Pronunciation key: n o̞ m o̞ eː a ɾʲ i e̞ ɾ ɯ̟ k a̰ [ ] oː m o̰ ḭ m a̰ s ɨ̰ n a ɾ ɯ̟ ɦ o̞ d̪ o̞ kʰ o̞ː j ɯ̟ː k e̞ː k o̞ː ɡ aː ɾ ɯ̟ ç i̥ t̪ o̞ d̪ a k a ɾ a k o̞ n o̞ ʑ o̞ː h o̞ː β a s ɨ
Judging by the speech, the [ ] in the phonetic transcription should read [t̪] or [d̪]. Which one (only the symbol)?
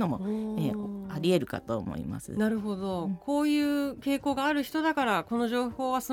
t̪